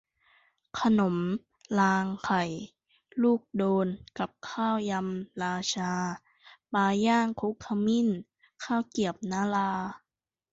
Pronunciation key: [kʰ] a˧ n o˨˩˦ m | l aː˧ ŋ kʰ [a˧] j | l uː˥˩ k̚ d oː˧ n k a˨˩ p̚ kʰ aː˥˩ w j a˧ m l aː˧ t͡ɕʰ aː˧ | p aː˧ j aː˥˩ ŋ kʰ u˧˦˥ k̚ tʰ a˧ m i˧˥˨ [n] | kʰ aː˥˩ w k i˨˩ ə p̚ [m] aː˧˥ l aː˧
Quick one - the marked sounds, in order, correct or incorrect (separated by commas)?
correct, incorrect, correct, incorrect